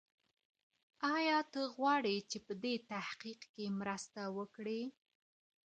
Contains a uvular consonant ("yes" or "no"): yes